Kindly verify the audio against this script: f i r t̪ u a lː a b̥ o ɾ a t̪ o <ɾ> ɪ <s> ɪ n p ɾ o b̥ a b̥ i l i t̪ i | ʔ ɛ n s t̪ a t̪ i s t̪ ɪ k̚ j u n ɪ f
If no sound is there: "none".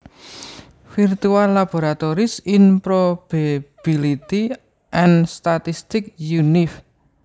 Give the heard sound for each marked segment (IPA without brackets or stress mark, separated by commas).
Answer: ɾ, s